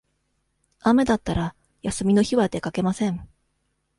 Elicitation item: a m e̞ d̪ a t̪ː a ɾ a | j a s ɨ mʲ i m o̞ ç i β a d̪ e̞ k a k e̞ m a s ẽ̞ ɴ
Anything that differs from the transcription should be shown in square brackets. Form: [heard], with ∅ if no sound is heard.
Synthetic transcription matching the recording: a m e̞ d̪ a t̪ː a ɾ a | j a s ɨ mʲ i [n] o̞ ç i β a d̪ e̞ k a k e̞ m a s ẽ̞ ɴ